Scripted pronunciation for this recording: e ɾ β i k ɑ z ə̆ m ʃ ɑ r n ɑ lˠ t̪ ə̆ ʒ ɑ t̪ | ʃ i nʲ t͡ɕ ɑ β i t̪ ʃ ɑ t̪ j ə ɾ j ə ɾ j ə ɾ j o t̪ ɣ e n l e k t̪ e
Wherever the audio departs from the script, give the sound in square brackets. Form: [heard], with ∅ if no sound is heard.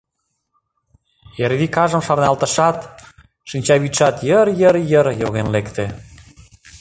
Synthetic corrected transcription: e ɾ β i k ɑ [ʒ] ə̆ m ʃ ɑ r n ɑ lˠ t̪ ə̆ [ʃ] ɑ t̪ | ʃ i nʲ t͡ɕ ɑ β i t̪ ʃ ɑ t̪ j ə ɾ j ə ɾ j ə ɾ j o [∅] ɣ e n l e k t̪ e